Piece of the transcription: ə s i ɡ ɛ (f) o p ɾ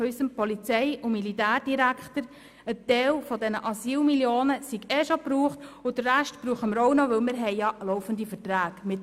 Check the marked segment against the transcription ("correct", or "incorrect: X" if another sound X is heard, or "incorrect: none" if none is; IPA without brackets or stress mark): incorrect: ʃ